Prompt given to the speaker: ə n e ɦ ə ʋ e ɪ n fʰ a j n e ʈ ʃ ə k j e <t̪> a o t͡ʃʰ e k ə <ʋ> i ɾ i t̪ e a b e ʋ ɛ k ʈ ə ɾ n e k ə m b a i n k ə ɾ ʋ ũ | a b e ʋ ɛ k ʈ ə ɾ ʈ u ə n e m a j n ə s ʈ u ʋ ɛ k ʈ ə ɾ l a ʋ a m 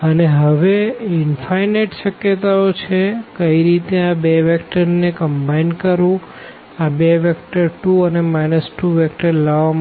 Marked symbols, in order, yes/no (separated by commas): yes, no